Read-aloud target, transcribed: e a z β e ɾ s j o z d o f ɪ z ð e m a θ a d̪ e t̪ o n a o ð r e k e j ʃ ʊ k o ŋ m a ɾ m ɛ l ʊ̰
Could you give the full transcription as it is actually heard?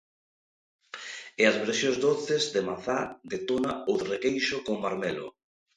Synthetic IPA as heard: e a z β e ɾ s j o z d o θ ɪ z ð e m a θ a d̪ e t̪ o n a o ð r e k e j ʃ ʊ k o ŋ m a ɾ m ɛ l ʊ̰